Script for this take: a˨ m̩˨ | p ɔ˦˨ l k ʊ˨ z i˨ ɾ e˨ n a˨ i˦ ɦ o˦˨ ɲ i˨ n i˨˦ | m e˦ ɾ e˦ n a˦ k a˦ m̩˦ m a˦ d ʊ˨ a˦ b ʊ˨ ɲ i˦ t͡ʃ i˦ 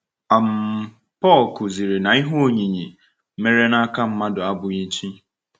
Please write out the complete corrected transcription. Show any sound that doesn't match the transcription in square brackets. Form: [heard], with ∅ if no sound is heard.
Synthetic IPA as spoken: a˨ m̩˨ | p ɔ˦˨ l k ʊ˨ z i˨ ɾ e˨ n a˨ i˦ ɦ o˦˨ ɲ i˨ [ɲ] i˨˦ | m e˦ ɾ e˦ n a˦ k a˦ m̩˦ m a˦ d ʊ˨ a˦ b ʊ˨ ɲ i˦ t͡ʃ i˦